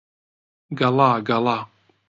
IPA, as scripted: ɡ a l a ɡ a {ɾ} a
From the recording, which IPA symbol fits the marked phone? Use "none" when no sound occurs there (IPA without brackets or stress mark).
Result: l